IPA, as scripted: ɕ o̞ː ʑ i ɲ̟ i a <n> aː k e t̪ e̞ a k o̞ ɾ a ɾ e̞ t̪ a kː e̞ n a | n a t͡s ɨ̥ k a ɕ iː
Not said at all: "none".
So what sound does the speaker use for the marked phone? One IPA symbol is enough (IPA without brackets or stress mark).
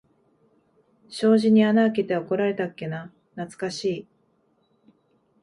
n